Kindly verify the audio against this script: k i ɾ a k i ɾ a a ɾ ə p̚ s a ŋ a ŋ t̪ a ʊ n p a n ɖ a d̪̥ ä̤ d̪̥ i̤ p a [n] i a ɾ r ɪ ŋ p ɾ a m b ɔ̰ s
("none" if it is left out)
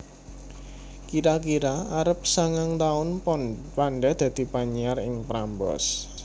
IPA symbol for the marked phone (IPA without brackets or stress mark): ɲ